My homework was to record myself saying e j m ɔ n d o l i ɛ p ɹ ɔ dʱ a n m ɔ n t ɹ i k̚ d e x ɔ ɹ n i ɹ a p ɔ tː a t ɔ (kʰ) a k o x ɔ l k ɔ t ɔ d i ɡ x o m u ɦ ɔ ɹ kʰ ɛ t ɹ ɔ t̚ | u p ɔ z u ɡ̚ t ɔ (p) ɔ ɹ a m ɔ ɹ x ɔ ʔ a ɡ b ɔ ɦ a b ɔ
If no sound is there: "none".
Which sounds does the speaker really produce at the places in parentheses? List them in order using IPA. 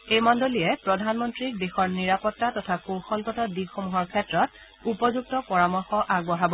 tʰ, p

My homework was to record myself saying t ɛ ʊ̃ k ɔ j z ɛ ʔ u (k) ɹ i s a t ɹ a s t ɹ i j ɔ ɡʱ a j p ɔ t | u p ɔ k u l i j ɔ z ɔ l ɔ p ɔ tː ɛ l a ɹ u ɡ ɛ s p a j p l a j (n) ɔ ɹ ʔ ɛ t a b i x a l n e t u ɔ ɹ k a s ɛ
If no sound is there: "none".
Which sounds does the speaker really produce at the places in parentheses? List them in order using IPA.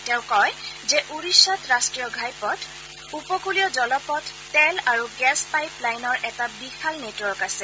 none, n

